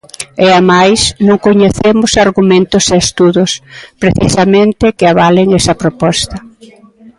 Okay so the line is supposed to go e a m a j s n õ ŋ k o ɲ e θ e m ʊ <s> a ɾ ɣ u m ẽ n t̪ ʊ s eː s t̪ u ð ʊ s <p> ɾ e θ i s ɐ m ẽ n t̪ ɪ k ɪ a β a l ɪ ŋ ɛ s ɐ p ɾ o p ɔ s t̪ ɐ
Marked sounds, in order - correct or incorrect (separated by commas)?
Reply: correct, correct